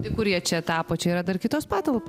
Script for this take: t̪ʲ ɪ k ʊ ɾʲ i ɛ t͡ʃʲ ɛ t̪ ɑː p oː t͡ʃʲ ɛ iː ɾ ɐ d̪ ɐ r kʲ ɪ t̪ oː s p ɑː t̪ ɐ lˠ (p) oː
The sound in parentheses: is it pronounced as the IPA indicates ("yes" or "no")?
yes